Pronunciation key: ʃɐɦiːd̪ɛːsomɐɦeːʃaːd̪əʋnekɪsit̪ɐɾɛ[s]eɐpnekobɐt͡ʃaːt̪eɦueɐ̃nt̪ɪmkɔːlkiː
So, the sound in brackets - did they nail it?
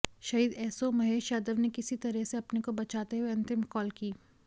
yes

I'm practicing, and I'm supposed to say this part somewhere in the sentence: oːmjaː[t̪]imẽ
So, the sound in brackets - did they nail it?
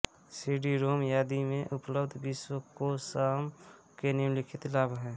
no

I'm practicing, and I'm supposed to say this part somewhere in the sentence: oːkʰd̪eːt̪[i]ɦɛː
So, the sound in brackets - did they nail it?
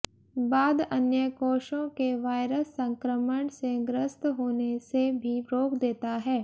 no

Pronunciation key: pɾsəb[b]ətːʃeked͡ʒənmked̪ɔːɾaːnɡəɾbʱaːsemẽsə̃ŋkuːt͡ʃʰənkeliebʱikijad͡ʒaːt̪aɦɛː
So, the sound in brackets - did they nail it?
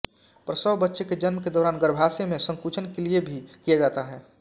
yes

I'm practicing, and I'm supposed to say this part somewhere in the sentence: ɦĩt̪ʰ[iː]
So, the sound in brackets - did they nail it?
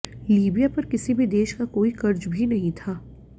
no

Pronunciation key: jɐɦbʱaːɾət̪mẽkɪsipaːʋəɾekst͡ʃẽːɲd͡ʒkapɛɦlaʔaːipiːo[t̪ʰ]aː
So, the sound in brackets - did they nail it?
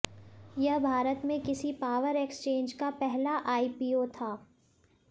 yes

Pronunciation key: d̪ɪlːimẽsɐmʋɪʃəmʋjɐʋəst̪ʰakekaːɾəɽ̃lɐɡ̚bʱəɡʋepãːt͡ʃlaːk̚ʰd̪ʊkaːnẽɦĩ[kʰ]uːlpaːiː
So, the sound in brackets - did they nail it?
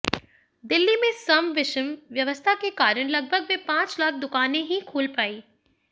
yes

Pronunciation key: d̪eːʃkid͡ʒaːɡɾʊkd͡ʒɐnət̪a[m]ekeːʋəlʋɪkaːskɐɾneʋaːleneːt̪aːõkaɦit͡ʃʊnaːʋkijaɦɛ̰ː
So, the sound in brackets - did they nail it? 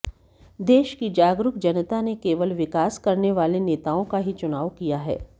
no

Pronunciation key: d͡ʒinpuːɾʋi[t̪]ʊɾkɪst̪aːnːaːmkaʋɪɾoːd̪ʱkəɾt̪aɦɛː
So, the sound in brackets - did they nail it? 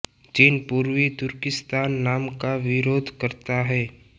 yes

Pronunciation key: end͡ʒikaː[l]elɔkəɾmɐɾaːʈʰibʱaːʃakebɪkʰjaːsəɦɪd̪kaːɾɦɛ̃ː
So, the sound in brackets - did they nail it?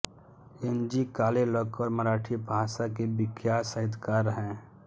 yes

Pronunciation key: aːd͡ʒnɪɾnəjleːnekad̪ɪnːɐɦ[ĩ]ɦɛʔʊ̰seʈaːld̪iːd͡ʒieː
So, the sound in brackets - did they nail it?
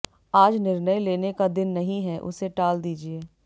yes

